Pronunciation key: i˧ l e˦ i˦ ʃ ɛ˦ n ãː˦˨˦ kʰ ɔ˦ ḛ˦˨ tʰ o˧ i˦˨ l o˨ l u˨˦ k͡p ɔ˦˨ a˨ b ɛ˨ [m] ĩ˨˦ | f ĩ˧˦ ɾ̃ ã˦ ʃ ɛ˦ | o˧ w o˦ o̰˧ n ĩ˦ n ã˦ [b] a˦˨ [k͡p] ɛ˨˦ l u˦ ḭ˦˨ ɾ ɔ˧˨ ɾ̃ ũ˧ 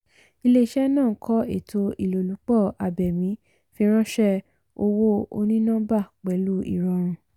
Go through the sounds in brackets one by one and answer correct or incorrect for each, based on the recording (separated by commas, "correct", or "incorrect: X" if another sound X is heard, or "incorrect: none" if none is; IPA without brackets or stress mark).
correct, correct, correct